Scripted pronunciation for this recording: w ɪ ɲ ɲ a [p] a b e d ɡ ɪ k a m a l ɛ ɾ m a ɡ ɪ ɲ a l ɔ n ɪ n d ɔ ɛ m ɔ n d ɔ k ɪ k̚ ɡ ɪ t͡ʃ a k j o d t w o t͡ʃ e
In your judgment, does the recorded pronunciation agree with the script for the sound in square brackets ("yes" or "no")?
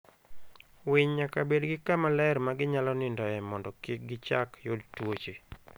no